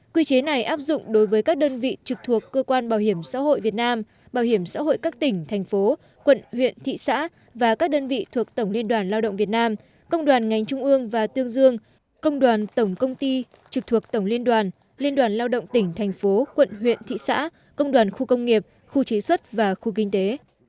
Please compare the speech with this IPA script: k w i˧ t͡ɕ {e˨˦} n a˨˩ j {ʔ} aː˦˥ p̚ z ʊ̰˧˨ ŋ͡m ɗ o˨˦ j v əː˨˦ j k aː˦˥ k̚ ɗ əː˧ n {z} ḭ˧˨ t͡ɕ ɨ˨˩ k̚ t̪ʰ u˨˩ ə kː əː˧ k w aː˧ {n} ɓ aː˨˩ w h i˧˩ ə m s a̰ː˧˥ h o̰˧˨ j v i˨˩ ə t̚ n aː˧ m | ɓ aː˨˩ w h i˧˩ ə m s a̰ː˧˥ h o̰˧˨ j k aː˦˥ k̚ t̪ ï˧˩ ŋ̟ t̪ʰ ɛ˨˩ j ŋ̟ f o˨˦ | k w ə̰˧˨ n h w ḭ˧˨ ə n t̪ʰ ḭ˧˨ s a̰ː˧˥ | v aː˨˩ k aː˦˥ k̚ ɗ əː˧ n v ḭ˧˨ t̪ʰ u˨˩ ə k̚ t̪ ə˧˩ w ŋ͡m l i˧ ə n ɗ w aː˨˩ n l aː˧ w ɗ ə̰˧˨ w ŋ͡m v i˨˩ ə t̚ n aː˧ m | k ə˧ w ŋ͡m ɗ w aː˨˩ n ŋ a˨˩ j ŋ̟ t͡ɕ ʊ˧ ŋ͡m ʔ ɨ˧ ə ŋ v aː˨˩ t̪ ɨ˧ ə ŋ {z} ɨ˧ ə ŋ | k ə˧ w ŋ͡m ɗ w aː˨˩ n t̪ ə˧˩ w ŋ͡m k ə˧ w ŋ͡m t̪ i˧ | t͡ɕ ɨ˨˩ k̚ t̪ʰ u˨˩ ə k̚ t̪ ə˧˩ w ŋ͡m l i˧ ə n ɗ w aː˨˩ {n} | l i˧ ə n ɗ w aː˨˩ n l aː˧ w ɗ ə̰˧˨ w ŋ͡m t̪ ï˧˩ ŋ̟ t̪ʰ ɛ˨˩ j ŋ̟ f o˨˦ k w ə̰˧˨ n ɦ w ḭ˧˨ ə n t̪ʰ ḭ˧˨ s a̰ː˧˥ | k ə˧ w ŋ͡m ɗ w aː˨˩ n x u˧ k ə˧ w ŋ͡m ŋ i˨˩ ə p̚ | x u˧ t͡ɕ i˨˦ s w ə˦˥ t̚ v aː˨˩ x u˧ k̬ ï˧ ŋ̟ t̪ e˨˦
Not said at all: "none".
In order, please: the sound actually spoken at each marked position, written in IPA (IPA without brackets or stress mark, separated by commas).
e˨˦, ʔ, v, n, z, n